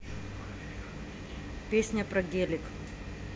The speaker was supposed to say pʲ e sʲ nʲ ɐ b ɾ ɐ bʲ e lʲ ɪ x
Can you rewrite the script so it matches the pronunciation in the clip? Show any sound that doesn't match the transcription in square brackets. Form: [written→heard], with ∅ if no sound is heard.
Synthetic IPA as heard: pʲ e sʲ nʲ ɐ [b→p] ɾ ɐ [bʲ→ɡʲ] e lʲ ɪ [x→k]